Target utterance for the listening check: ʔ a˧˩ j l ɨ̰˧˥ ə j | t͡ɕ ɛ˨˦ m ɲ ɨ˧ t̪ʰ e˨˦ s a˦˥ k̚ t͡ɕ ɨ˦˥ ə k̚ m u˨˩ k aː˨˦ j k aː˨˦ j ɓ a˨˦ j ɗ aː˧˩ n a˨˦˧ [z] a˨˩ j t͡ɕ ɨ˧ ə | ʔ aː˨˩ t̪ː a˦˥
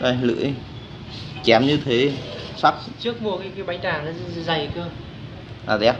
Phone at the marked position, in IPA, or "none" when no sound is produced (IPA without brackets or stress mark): z